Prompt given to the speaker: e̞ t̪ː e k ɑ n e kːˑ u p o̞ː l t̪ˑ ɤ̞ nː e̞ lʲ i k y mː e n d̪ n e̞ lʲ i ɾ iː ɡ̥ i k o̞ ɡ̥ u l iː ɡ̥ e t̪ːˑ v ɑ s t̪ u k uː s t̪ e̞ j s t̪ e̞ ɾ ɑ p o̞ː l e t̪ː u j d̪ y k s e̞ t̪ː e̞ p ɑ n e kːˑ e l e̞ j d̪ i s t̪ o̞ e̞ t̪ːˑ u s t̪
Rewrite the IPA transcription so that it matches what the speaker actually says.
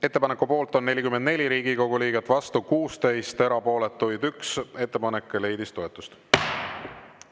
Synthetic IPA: e̞ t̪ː e p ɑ n e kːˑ u p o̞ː l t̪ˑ o̞ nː e̞ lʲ i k y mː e n d̪ n e̞ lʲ i ɾ iː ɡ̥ i k o̞ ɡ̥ u l iː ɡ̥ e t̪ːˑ v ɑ s t̪ u k uː s t̪ e̞ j s t̪ e̞ ɾ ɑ p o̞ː l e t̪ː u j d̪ y k s e̞ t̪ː e̞ p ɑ n e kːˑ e l e̞ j d̪ i s t̪ o̞ e̞ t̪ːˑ u s t̪